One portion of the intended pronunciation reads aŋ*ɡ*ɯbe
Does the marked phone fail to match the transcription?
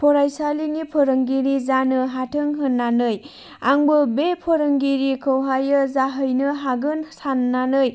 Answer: yes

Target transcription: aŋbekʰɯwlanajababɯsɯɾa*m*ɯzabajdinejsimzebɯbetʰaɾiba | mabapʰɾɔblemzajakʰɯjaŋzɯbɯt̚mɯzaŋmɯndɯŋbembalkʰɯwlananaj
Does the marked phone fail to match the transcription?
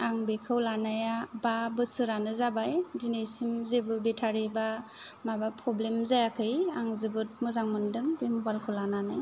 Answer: yes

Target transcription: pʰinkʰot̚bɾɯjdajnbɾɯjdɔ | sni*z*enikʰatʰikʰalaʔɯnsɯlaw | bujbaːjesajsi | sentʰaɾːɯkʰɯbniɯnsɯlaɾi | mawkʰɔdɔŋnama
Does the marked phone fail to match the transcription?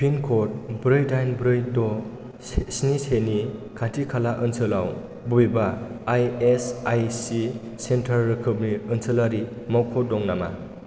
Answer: yes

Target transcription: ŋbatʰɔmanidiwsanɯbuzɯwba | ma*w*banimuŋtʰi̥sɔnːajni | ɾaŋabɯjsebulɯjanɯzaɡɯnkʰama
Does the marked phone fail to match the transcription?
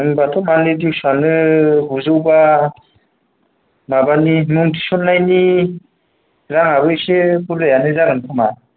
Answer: yes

